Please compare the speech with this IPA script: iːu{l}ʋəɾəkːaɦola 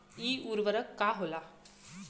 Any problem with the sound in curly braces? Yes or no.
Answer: yes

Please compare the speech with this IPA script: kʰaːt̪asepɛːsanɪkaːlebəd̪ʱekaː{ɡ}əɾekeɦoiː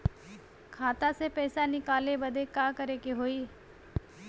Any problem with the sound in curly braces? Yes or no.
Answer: yes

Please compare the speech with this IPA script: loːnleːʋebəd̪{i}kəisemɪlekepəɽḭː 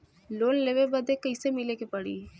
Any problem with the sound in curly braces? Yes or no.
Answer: yes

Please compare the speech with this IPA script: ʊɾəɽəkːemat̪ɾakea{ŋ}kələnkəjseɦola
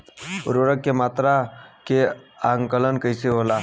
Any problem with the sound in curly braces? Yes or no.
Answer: no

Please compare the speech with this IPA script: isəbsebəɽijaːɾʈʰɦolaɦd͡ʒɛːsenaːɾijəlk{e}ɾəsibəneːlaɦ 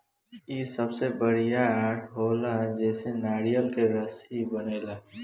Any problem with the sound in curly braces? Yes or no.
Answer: no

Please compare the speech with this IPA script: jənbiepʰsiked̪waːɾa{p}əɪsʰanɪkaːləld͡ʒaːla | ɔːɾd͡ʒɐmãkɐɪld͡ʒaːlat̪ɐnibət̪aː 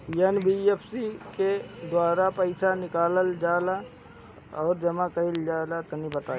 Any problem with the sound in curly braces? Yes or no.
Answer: no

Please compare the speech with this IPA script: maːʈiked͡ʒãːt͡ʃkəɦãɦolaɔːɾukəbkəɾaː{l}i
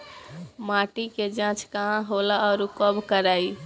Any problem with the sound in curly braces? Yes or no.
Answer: yes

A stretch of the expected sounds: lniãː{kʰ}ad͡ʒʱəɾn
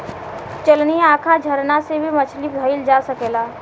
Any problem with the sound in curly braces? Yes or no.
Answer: no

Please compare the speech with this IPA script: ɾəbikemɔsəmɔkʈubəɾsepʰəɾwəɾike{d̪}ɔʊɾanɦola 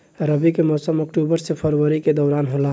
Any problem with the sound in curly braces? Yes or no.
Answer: no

